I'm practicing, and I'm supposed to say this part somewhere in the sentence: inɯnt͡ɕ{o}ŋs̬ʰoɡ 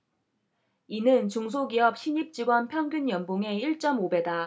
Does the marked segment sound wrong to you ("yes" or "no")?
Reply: yes